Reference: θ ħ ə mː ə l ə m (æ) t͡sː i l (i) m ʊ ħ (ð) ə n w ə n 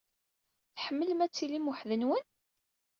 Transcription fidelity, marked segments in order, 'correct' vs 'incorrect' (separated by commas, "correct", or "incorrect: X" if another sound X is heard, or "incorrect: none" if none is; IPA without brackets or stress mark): correct, correct, correct